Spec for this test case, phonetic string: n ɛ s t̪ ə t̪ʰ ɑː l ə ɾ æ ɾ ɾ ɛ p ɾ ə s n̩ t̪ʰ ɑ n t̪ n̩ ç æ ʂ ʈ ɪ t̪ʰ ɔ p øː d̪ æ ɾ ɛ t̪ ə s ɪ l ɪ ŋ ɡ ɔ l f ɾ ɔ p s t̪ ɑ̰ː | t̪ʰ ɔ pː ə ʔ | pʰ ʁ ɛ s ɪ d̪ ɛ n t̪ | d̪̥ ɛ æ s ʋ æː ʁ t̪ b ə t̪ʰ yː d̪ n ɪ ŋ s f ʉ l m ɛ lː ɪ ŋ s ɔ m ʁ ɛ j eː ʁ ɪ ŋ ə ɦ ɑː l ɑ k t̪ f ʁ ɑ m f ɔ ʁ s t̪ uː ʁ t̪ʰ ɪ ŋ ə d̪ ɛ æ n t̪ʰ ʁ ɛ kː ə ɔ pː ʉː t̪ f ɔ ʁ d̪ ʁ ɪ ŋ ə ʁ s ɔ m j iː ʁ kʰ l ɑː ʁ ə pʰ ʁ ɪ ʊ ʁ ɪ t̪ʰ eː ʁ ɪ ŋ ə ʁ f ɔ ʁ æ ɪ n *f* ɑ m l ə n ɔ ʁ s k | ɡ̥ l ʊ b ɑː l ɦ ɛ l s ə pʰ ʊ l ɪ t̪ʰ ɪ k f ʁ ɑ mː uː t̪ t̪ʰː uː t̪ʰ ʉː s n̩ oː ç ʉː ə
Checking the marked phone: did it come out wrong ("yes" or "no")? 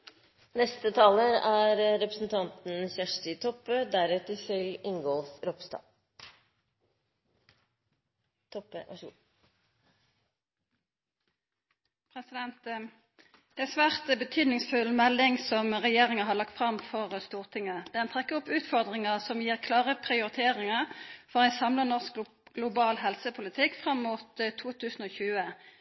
yes